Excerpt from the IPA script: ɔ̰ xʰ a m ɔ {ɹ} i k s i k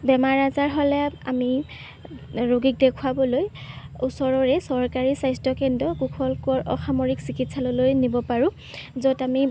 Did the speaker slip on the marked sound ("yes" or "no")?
no